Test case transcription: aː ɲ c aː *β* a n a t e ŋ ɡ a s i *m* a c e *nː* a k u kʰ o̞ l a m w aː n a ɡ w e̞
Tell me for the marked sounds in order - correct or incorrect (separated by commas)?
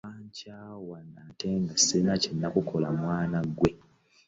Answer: incorrect, incorrect, correct